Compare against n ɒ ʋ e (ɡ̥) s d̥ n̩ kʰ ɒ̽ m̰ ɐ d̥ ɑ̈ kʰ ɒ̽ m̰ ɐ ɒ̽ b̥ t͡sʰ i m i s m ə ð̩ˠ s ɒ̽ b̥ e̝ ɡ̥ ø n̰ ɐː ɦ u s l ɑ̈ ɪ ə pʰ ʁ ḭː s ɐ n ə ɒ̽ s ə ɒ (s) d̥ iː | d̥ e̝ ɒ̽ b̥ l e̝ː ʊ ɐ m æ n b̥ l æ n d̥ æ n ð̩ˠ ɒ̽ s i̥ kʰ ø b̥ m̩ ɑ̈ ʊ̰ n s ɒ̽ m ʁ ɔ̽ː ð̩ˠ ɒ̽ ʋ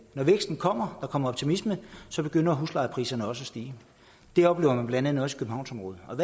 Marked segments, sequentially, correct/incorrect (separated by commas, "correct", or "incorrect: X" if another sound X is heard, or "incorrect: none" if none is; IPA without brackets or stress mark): correct, correct